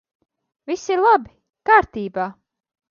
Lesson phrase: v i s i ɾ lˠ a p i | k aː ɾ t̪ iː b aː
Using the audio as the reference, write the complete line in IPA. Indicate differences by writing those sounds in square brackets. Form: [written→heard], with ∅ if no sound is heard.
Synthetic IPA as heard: v i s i ɾ lˠ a [p→b] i | k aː ɾ t̪ iː b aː